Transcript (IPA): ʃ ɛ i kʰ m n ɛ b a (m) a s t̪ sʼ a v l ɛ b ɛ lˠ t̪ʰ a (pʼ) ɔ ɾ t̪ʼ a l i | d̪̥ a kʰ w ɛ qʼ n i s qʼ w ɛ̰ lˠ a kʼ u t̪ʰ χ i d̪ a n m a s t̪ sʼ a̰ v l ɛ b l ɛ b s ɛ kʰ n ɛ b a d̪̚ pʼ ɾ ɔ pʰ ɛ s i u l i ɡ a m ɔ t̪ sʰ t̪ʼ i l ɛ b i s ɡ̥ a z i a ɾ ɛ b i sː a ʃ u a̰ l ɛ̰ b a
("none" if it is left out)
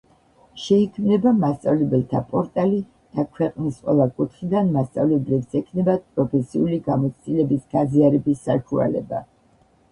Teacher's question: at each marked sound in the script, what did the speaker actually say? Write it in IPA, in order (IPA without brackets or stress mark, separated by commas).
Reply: m, pʼ